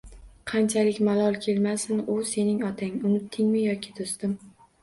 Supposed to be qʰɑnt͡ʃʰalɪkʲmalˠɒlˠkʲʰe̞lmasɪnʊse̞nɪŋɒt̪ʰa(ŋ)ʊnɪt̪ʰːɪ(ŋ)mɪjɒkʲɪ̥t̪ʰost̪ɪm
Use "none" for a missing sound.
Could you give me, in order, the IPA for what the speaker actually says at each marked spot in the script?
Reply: ŋ, ŋ

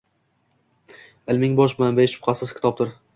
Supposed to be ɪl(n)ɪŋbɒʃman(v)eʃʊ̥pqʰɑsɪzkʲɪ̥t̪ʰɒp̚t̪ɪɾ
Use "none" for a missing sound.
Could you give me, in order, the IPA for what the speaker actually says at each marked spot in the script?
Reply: m, b

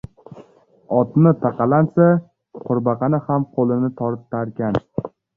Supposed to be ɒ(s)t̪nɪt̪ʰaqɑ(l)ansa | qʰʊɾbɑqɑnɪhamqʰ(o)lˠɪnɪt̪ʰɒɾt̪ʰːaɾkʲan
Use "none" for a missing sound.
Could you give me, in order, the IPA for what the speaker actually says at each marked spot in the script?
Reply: none, l, o

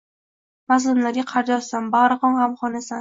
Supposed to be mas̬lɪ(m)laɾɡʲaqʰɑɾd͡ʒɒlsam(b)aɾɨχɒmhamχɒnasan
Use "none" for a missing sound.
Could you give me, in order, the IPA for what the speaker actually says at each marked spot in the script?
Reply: m, b

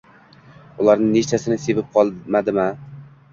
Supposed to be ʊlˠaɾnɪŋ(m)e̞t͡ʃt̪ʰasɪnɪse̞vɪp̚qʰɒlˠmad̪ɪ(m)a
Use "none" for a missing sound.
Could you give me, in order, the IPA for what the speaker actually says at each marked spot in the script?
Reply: n, m

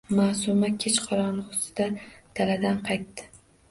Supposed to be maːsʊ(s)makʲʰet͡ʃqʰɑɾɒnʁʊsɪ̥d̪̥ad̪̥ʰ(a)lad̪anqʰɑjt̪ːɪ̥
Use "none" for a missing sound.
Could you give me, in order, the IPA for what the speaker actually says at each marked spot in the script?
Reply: none, a

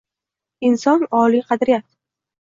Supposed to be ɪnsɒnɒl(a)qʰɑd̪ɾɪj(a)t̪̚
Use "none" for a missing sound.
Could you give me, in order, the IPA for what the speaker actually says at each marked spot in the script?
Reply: i, a

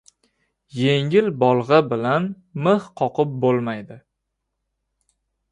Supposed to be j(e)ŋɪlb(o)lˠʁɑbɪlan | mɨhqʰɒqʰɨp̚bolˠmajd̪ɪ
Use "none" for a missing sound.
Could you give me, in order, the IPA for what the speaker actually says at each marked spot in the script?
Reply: e, ɒ

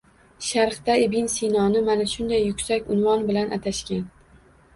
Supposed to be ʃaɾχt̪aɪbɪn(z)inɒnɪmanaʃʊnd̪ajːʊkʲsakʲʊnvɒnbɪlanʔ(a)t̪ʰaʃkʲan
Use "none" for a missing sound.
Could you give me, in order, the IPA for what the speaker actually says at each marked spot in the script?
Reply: s, a

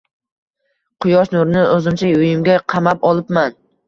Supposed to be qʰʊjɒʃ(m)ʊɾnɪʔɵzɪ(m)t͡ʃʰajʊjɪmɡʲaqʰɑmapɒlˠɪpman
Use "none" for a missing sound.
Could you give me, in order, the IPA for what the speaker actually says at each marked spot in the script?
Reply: n, m

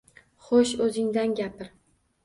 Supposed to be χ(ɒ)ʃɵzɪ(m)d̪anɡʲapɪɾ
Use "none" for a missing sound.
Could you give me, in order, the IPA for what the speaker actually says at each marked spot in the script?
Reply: o, ŋ

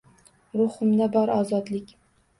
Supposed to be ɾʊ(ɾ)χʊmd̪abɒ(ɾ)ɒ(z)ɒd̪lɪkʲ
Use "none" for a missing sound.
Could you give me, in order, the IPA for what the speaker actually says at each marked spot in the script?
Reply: none, ɾ, z

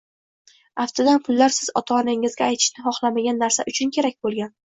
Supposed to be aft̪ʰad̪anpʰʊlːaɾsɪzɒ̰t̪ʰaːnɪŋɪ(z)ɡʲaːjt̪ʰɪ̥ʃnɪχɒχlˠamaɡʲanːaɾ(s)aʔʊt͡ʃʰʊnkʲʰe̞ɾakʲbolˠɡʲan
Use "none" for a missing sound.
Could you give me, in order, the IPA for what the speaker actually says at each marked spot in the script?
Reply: z, s

